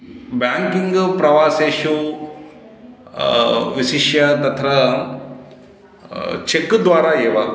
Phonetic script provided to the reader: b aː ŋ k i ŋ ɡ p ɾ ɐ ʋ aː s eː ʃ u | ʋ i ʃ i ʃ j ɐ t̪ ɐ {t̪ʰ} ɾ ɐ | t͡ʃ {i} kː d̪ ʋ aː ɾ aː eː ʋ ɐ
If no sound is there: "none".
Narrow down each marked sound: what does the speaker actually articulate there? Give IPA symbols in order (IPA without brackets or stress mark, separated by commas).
t̪ʰ, e